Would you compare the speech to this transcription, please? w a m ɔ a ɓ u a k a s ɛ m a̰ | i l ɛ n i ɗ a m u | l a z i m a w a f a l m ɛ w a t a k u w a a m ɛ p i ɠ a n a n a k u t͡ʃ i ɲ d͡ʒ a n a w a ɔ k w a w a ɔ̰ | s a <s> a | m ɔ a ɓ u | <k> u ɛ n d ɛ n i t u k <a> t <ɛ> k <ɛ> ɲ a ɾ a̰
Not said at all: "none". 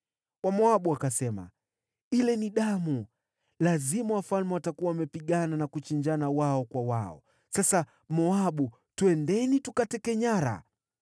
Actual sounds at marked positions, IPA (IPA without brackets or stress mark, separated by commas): s, t, a, ɛ, ɛ